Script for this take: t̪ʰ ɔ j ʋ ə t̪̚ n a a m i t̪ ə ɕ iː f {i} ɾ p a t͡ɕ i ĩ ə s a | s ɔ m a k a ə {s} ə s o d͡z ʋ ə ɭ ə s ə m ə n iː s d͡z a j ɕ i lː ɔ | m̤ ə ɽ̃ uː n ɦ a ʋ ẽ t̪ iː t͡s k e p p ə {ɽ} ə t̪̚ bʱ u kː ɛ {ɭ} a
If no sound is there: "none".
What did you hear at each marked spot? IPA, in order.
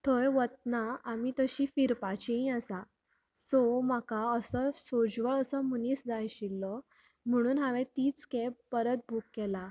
i, s, ɾ, l

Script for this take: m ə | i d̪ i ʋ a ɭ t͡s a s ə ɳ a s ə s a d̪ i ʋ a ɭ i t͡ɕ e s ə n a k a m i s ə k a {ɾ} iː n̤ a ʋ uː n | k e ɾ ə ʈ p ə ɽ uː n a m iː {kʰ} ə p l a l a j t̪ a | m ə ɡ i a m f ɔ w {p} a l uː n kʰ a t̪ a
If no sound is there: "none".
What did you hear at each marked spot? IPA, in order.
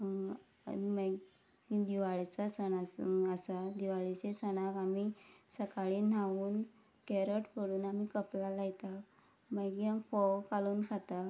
ɭ, k, k

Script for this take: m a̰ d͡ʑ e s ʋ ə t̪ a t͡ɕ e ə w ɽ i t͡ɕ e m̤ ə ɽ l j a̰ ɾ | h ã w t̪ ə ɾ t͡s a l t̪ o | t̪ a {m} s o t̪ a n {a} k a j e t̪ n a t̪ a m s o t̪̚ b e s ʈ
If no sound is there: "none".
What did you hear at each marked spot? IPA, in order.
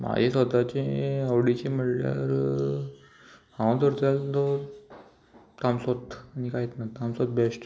m, i

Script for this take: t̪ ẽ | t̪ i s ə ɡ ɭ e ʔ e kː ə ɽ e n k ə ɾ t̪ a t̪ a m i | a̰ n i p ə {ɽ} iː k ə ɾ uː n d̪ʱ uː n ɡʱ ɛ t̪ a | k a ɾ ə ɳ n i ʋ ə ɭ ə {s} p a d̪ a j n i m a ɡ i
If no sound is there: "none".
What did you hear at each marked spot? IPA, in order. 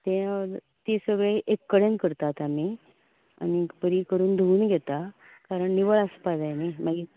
ɾ, s

